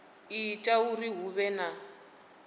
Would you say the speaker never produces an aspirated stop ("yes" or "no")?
yes